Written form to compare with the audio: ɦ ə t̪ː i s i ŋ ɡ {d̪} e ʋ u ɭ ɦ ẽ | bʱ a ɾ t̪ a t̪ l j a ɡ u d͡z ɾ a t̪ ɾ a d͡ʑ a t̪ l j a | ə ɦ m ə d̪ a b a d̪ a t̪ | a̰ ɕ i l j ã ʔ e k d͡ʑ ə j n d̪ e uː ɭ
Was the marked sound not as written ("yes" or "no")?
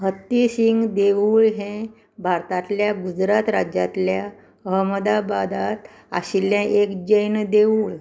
no